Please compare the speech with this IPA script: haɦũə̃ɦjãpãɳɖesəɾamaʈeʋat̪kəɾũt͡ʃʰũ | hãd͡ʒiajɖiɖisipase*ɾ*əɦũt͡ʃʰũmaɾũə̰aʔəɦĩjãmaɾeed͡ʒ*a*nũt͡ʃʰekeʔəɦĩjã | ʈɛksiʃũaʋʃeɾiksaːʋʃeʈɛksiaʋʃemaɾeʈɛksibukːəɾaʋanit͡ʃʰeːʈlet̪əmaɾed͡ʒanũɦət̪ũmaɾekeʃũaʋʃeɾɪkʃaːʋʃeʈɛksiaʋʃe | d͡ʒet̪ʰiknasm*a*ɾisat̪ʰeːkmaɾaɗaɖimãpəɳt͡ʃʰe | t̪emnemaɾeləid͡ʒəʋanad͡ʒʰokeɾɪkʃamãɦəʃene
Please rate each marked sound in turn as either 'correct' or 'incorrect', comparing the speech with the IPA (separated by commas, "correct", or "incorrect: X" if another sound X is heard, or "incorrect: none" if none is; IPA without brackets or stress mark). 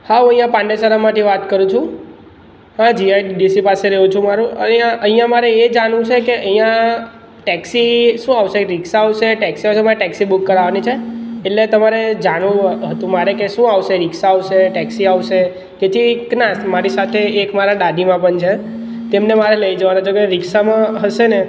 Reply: correct, correct, correct